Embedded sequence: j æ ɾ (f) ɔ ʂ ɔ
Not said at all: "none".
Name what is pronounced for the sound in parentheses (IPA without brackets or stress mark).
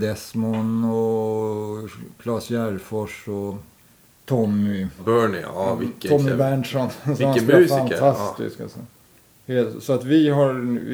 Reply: f